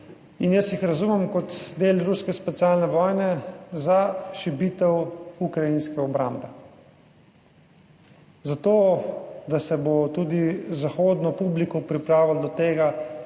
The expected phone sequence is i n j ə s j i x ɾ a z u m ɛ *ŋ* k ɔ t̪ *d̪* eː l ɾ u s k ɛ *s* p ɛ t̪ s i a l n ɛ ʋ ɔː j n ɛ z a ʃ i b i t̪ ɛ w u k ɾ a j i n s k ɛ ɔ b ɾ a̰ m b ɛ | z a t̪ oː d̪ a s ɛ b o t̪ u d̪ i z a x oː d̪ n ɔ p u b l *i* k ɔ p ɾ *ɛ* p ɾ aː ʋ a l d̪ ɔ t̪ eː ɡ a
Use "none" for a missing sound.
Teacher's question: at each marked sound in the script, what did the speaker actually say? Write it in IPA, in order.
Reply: m, d̪, s, i, i

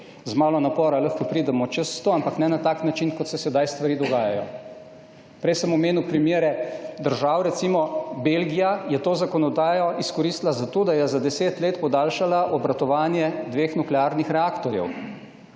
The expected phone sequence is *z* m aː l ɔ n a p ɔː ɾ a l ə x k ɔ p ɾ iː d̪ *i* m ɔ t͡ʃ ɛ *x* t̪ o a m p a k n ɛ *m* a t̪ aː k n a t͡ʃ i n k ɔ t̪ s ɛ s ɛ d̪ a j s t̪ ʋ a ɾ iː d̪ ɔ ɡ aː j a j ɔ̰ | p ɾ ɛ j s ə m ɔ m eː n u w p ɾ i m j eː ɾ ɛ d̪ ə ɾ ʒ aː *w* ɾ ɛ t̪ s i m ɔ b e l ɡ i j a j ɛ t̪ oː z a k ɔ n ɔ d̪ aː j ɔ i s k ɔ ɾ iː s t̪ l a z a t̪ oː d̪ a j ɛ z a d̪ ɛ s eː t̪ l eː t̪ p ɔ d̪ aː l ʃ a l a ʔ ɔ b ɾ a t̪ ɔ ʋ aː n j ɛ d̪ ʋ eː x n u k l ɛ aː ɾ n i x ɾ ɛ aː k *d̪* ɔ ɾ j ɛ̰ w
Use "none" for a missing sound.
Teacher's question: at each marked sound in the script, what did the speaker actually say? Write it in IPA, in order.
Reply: z, ɛ, s, n, w, t̪

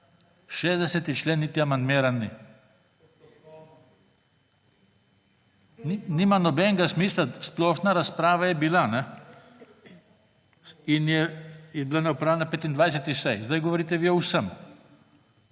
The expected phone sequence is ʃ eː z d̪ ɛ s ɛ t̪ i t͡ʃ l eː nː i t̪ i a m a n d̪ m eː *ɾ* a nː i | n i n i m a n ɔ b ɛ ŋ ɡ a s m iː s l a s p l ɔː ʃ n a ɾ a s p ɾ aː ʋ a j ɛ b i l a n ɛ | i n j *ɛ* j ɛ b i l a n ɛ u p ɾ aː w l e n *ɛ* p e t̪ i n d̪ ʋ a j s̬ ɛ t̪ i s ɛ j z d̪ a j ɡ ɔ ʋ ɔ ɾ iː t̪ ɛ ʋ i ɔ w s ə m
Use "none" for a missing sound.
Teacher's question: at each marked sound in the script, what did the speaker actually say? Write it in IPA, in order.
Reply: ɾ, ɛ, a

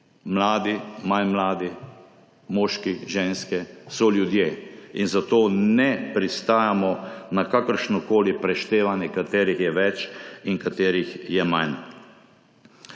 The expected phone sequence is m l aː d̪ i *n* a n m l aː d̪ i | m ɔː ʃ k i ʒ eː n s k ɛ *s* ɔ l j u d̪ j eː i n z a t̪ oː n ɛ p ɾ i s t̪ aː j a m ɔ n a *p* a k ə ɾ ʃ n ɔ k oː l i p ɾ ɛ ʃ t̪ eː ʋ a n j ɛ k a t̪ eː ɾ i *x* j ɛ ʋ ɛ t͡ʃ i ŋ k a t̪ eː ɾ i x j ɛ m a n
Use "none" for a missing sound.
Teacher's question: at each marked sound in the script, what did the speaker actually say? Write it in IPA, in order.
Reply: m, s, k, x

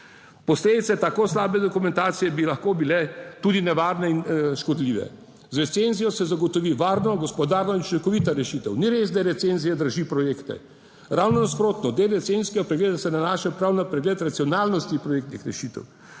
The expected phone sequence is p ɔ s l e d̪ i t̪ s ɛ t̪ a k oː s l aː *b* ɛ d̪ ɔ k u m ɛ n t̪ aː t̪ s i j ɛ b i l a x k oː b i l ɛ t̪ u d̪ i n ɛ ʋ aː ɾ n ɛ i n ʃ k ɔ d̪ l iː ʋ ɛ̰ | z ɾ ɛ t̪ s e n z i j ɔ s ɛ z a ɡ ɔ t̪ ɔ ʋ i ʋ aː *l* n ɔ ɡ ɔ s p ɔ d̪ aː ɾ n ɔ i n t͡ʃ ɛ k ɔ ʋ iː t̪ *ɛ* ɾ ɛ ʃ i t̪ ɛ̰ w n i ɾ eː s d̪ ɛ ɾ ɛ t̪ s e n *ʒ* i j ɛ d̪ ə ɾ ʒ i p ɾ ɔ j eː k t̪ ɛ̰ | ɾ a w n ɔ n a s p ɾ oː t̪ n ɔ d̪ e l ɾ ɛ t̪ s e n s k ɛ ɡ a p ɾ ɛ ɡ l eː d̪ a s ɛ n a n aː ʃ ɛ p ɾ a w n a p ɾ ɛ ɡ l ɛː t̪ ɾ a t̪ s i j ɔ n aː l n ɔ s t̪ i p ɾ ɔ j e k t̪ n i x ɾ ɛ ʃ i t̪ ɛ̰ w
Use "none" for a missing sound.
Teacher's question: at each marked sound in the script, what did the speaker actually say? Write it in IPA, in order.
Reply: b, ɾ, a, z

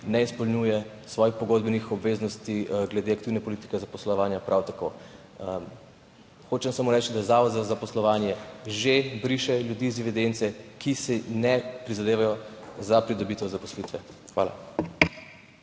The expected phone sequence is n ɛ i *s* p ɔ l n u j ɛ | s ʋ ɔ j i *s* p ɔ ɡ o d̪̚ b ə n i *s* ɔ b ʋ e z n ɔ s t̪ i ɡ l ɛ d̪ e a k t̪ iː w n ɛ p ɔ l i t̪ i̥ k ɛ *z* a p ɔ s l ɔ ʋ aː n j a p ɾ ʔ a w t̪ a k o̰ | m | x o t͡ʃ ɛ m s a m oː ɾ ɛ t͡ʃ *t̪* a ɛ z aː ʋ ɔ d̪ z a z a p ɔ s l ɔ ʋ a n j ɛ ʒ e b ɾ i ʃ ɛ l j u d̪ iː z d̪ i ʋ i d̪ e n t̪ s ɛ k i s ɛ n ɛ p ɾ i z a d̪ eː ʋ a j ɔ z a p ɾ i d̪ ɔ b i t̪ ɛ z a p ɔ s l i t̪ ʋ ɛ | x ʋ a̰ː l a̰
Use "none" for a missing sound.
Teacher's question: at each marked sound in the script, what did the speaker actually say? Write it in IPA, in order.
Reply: s, x, x, z, d̪

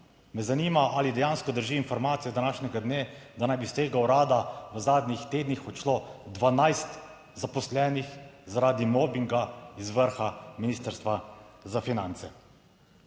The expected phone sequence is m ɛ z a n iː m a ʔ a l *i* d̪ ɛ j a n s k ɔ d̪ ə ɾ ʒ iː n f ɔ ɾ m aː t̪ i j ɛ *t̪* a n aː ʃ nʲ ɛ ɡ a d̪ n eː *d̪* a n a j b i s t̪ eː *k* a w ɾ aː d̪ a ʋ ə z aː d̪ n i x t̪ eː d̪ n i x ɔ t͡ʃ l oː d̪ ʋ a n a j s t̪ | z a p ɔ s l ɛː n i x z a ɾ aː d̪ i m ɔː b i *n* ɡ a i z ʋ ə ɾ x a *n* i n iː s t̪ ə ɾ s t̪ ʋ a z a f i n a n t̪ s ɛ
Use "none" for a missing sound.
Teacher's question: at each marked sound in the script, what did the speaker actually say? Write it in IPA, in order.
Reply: i, d̪, d̪, ɡ, ŋ, m

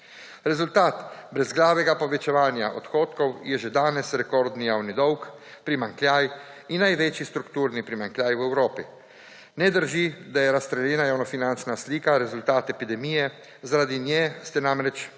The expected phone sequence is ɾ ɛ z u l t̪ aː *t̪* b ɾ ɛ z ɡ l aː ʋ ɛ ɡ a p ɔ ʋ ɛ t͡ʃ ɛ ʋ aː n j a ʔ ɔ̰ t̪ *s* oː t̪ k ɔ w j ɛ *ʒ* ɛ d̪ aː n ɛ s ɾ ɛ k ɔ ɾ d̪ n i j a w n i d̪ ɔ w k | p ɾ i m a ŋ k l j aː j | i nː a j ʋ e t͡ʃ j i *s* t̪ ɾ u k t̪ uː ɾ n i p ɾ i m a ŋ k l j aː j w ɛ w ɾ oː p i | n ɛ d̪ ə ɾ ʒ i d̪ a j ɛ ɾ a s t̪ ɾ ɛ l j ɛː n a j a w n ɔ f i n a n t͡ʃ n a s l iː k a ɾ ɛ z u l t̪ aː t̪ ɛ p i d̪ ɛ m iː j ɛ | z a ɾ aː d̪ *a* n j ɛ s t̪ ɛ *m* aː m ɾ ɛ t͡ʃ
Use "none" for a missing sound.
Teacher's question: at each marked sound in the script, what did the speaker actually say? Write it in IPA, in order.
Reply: t̪, x, ʒ, s, i, n

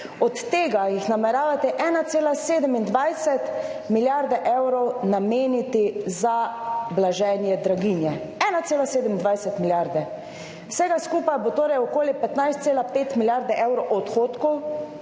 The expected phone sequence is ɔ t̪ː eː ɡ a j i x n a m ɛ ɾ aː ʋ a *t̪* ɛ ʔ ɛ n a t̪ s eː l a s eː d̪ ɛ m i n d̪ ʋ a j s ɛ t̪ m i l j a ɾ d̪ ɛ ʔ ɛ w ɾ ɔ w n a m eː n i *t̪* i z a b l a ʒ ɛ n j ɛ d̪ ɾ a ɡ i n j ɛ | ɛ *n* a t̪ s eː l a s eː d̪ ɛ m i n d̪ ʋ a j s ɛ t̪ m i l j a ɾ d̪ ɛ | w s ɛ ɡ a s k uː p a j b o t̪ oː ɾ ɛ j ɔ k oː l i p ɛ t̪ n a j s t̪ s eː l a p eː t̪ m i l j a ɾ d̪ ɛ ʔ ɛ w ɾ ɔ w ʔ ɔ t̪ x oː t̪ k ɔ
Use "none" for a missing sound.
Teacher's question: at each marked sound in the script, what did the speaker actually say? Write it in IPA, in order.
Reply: t̪, t̪, n

